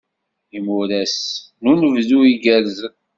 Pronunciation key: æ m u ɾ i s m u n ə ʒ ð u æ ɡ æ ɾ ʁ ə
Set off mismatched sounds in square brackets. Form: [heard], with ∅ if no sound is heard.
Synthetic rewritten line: [i] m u ɾ [æ] s [n] u n ə [v] ð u [i] ɡ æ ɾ [z] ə